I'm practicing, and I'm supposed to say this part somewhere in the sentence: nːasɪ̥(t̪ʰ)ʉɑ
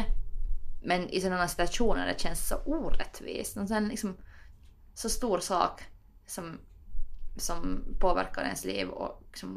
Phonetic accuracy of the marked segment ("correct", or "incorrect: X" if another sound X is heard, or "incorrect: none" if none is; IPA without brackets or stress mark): incorrect: t̪